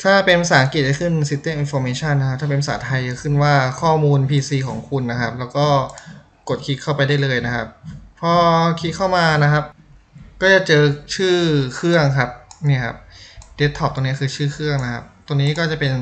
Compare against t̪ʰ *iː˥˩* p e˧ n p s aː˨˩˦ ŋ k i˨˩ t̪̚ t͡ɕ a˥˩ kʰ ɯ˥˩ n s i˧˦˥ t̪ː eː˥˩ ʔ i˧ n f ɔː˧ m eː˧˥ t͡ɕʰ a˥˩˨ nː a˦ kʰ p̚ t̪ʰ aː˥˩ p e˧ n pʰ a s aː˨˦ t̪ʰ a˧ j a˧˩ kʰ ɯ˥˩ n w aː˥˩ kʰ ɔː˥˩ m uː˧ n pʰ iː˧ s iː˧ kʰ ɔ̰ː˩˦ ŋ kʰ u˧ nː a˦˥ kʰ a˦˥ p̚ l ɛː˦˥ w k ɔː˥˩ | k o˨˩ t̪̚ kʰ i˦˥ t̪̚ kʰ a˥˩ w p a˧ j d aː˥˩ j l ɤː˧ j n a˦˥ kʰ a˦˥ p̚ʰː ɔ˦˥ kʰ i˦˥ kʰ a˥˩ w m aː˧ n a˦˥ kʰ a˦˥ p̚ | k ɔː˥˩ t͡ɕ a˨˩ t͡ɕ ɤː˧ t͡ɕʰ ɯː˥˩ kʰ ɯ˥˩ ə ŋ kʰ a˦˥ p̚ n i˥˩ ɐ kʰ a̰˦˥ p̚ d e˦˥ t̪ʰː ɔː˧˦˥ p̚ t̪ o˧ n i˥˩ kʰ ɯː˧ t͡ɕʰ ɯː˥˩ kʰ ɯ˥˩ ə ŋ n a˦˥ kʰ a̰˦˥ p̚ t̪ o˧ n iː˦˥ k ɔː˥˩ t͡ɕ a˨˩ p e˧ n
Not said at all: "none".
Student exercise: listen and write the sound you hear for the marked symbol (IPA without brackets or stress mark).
aː˥˩